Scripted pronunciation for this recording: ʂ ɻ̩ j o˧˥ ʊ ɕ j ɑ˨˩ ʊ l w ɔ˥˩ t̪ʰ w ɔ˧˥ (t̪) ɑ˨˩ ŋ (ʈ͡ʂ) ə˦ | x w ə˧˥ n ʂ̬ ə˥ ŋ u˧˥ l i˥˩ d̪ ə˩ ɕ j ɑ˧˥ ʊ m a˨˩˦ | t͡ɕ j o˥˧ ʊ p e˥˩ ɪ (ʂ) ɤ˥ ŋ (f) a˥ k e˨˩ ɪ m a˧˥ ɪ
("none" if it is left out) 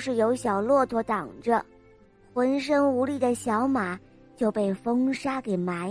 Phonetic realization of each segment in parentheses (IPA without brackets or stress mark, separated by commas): t̪, ʈ͡ʂ, f, ʂ